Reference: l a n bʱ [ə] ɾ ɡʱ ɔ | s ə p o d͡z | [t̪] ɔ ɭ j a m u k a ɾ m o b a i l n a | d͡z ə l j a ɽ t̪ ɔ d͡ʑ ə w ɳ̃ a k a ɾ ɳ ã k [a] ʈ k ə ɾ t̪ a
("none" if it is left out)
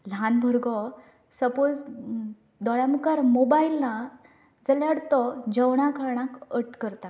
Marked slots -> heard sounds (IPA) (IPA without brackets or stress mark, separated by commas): ə, d̪, ə